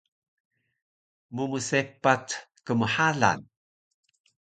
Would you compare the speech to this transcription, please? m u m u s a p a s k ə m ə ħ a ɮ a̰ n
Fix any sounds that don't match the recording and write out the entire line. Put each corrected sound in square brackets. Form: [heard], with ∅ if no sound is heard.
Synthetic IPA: m u m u s [e] p a [t] k ə m ə ħ a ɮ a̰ n